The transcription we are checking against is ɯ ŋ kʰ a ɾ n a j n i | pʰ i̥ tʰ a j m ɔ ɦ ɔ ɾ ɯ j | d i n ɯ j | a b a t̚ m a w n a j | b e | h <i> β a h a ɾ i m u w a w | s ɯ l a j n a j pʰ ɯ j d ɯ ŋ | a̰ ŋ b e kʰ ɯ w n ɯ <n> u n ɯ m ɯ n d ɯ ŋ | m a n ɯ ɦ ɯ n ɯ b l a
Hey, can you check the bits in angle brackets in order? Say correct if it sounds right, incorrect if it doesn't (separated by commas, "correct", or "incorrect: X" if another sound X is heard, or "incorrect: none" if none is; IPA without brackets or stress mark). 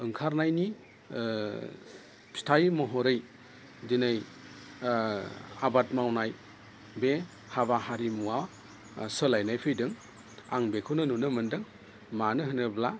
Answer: incorrect: a, correct